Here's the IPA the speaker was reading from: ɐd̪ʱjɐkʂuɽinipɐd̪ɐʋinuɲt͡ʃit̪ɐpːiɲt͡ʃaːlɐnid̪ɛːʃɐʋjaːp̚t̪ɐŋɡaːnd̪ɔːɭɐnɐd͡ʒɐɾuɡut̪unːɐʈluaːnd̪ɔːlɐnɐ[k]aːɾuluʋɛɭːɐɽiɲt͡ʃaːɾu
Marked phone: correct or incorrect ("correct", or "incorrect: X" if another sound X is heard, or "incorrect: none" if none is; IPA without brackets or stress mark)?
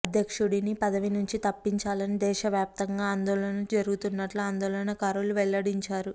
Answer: correct